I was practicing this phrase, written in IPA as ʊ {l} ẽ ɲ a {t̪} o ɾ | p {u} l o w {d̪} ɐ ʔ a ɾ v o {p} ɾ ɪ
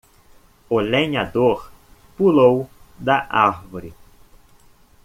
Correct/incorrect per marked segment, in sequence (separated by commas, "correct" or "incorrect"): correct, incorrect, correct, correct, incorrect